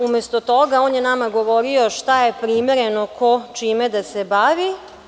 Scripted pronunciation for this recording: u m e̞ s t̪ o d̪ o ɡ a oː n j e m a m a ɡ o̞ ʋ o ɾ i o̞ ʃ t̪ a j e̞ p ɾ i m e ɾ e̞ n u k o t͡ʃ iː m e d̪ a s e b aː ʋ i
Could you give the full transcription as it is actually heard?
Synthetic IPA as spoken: u m e̞ s t̪ o t̪ o ɡ a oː n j e n a m a ɡ o̞ ʋ o ɾ i o̞ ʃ t̪ a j e̞ p ɾ i m e ɾ e̞ n o k o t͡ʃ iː m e d̪ a s e b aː ʋ i

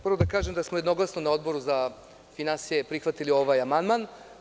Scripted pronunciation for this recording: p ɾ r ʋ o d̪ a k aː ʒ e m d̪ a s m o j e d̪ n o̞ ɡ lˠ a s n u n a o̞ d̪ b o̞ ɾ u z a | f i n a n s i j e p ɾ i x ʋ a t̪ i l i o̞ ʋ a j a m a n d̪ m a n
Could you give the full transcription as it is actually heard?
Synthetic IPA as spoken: p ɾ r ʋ o d̪ a k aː ʒ e m d̪ a s m o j e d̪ n o̞ ɡ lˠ a s n o n a o̞ d̪ b o̞ ɾ u z a | f i n a n s i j e p ɾ i x ʋ a t̪ i l i o̞ ʋ a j a m a n d̪ m a n

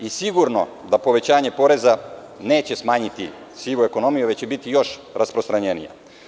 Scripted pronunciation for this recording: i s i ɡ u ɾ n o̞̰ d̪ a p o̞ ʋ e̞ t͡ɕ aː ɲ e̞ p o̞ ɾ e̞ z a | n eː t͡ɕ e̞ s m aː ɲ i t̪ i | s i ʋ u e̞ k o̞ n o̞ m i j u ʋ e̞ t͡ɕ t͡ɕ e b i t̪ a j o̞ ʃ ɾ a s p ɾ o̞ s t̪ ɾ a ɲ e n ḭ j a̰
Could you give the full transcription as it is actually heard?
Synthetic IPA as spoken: i s i ɡ u ɾ n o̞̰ d̪ a p o̞ ʋ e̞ t͡ɕ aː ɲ e̞ p o̞ ɾ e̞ z a | n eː t͡ɕ e̞ s m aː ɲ i t̪ i | s i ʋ u e̞ k o̞ n o̞ m i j u ʋ e̞ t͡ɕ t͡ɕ e b i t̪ i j o̞ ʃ ɾ a s p ɾ o̞ s t̪ ɾ a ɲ e n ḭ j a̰

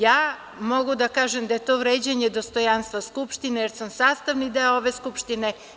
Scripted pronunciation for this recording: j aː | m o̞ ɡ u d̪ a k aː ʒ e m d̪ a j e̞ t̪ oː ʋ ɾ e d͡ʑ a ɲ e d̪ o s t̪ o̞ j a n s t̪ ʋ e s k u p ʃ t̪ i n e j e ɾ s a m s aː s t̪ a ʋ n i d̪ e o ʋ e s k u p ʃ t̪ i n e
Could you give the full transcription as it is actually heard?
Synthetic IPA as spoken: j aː | m o̞ ɡ u d̪ a k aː ʒ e m d̪ a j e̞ t̪ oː ʋ ɾ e d͡ʑ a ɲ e d̪ o s t̪ o̞ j a n s t̪ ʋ a s k u p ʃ t̪ i n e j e ɾ s a m s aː s t̪ a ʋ n i d̪ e o ʋ e s k u p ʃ t̪ i n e

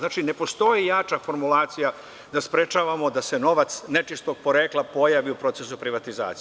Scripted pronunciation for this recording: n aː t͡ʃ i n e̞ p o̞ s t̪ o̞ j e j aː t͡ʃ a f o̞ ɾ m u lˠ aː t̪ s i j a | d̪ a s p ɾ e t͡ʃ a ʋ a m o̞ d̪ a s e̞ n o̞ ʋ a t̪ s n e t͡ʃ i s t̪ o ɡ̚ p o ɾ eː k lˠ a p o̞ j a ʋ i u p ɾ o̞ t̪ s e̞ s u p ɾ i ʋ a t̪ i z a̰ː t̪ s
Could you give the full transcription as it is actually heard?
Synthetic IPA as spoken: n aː t͡ʃ i n e̞ p o̞ s t̪ o̞ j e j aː t͡ʃ a f o̞ ɾ m u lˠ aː t̪ s i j a | d̪ a s p ɾ e t͡ʃ a ʋ a m o̞ d̪ a s e̞ n o̞ ʋ a t̪ s n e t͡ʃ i s t̪ o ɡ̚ p o ɾ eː k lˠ a p o̞ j a ʋ i u p ɾ o̞ t̪ s e̞ s u p ɾ i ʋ a t̪ i z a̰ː t̪ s

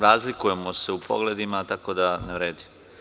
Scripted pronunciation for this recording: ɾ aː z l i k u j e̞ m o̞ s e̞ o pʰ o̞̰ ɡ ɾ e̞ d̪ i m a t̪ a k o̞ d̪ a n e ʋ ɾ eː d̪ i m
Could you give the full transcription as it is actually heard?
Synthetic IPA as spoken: ɾ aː z l i k u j e̞ m o̞ s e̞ u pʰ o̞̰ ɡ l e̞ d̪ i m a t̪ a k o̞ d̪ a n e ʋ ɾ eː d̪ i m

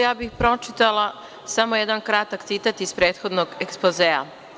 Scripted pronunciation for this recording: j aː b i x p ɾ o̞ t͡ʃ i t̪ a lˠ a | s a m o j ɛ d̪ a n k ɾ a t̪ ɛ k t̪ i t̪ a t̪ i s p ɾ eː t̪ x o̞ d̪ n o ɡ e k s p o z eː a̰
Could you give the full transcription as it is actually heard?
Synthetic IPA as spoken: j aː b i x p ɾ o̞ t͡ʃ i t̪ a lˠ a | s a m o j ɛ d̪ a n k ɾ a t̪ a k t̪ i t̪ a t̪ i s p ɾ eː t̪ x o̞ d̪ n o ɡ e k s p o z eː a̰

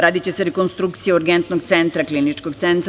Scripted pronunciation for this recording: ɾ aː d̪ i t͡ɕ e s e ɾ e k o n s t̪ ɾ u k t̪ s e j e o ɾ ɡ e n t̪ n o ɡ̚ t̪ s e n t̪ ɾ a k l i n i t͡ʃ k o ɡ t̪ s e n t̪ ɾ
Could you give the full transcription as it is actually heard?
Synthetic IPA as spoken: ɾ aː d̪ i t͡ɕ e s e ɾ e k o n s t̪ ɾ u k t̪ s i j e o ɾ ɡ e n t̪ n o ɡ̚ t̪ s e n t̪ ɾ a k l i n i t͡ʃ k o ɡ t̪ s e n t̪ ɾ

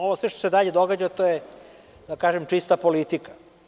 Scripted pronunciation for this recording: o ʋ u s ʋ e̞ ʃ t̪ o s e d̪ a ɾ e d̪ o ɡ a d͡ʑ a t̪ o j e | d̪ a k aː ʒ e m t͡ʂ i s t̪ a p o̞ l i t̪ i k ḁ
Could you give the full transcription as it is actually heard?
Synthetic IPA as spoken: o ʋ o s ʋ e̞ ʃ t̪ o s e d̪ a ʎ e d̪ o ɡ a d͡ʑ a t̪ o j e | d̪ a k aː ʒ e m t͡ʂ i s t̪ a p o̞ l i t̪ i k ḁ

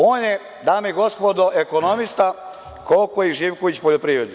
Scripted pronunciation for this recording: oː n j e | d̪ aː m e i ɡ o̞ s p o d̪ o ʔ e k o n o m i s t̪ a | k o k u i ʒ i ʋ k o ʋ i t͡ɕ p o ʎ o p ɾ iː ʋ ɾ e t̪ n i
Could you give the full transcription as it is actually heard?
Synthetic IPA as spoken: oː n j e | d̪ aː m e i ɡ o̞ s p o d̪ o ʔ e k o n o m i s t̪ a | k o k o i ʒ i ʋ k o ʋ i t͡ɕ p o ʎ o p ɾ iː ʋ ɾ e d̪ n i

